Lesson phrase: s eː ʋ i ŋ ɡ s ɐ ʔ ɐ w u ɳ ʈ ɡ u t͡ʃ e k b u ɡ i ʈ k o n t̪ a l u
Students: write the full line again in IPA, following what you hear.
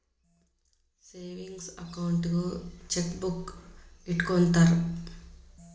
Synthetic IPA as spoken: s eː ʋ i ŋ ɡ s ɐ k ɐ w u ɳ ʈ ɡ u t͡ʃ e k b u k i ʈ k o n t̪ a ɾ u